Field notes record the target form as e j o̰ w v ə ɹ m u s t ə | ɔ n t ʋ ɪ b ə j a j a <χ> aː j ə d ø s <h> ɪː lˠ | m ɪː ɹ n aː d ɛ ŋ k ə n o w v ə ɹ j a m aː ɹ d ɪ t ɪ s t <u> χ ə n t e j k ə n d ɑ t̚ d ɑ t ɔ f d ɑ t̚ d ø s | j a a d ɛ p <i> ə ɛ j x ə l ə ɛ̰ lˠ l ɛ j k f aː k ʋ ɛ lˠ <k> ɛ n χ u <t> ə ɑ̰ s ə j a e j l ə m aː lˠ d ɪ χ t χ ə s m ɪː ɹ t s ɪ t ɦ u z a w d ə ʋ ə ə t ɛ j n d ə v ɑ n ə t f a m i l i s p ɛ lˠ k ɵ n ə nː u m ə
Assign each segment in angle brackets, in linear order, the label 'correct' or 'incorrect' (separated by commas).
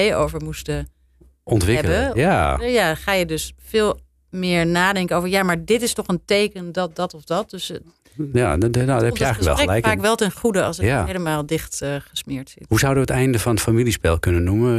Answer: correct, incorrect, incorrect, incorrect, incorrect, incorrect